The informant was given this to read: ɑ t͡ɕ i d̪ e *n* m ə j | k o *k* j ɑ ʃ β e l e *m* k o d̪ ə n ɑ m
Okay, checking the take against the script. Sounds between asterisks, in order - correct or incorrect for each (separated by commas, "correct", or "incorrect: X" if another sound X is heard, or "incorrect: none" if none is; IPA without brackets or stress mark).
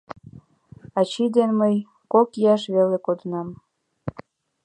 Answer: correct, correct, incorrect: none